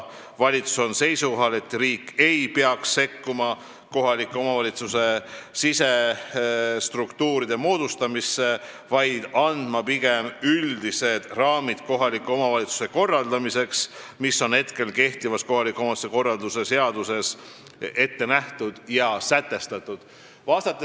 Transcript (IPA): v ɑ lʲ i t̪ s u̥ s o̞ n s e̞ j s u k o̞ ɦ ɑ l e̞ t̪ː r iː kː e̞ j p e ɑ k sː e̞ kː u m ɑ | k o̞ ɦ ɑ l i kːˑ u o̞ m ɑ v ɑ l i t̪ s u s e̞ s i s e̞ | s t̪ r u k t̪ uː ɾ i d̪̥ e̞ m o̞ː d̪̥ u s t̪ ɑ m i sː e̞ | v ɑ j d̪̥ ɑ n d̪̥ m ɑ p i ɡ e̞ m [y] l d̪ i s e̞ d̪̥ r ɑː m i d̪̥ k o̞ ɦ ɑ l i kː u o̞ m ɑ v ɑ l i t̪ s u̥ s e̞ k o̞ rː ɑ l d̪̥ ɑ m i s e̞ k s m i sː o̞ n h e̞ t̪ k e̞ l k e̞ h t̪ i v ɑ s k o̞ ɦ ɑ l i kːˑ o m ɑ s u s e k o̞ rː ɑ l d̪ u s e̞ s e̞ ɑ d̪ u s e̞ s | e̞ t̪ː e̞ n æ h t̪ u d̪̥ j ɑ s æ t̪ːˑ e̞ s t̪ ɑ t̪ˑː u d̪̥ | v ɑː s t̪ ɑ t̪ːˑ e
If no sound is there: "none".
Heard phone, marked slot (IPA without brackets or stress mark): y